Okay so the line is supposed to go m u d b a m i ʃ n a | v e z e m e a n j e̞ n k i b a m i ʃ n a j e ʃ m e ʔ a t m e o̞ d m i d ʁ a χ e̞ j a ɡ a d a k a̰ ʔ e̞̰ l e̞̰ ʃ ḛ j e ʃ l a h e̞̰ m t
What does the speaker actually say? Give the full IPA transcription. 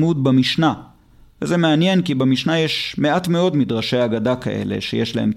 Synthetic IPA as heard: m u d b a m i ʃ n a | v e z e m e a n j e̞ n k i b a m i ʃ n a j e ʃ m e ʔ a t m e o̞ d m i d ʁ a ʃ e̞ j a ɡ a d a k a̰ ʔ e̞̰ l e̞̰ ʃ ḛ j e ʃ l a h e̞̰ m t